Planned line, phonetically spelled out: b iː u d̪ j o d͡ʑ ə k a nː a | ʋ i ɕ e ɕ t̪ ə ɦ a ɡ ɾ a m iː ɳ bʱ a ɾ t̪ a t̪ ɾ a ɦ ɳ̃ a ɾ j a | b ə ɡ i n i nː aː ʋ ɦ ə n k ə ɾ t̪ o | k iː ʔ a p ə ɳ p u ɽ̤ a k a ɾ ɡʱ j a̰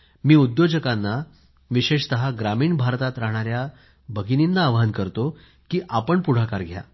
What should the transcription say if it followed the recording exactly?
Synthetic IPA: m iː u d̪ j o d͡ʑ ə k a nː a | ʋ i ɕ e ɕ t̪ ə ɦ a ɡ ɾ a m iː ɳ bʱ a ɾ t̪ a t̪ ɾ a ɦ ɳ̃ a ɾ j a | b ə ɡ i n i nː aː ʋ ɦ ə n k ə ɾ t̪ o | k iː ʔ a p ə ɳ p u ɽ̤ a k a ɾ ɡʱ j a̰